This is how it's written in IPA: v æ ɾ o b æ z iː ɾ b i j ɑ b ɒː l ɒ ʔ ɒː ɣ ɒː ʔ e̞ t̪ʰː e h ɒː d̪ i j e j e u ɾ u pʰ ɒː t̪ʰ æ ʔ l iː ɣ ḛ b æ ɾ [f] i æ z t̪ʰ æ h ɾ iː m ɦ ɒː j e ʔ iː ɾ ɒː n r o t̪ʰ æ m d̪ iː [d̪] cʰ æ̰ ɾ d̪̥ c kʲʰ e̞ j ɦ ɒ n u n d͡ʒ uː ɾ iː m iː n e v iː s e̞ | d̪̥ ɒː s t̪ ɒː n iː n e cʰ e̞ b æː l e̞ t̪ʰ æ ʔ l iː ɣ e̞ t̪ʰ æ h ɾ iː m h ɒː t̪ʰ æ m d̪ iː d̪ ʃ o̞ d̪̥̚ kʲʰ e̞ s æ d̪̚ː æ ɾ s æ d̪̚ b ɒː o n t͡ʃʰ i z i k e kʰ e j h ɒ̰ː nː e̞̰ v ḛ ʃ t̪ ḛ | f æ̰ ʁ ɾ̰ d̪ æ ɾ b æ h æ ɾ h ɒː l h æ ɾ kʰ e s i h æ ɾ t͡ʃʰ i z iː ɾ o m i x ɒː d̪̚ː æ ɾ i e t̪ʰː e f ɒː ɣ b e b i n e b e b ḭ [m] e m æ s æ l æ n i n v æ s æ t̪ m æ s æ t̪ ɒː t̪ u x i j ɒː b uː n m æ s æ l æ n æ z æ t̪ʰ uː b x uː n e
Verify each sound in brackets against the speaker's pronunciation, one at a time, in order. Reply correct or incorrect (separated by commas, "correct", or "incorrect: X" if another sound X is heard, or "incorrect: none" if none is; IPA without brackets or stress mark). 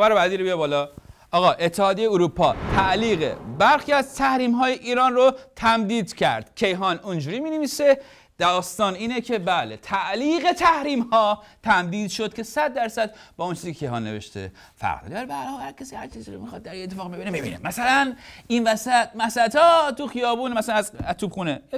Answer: incorrect: x, correct, incorrect: n